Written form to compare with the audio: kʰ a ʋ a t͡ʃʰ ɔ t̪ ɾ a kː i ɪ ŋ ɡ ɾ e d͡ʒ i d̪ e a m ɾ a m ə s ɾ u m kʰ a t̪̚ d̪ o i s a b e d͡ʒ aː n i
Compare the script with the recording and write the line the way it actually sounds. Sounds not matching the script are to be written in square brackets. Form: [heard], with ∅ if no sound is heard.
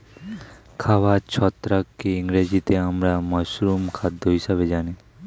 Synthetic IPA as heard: kʰ a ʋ a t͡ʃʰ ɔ t̪ ɾ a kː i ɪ ŋ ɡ ɾ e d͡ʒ i [t̪] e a m ɾ a m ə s ɾ u m kʰ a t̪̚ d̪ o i s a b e d͡ʒ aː n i